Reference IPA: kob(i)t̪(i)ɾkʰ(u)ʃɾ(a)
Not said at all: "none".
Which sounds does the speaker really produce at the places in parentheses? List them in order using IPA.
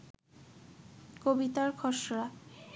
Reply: i, a, ɔ, a

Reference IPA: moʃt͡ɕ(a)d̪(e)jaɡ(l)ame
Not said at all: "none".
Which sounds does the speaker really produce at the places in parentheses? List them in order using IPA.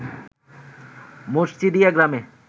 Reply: i, i, ɾ

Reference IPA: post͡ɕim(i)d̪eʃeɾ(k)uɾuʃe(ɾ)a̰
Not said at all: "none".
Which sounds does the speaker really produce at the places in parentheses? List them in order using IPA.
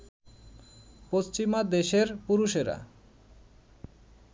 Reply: a, p, ɾ

